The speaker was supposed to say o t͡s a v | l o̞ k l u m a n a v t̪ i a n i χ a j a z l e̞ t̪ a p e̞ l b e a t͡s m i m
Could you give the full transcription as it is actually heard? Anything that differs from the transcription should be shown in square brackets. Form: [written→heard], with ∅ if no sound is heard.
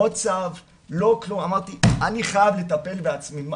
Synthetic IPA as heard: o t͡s a v | l o̞ k l u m a [n→m] a [v→ʁ] t̪ i a n i χ a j a [z→v] l e̞ t̪ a p e̞ l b e a t͡s m i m